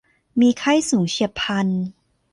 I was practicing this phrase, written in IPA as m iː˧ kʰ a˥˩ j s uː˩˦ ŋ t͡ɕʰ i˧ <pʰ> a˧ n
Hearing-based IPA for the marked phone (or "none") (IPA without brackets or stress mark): pʰ